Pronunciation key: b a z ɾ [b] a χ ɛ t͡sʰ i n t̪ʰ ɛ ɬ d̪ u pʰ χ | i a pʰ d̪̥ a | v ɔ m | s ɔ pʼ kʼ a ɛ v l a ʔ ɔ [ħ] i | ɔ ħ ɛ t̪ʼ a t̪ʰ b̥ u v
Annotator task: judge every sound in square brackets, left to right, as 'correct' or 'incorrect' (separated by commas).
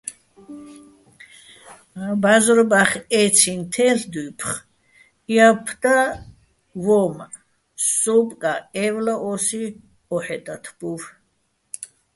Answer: correct, incorrect